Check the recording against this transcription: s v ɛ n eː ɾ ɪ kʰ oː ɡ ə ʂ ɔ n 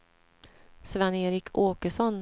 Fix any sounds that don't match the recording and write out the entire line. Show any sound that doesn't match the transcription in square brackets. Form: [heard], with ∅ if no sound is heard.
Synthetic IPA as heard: s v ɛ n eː ɾ ɪ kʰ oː [k] ə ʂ ɔ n